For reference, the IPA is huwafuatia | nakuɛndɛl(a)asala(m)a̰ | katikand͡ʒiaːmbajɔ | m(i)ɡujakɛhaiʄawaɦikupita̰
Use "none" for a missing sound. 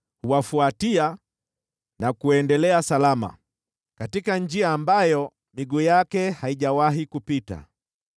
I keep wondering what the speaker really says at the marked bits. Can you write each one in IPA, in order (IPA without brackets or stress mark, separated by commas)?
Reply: ɛ, m, i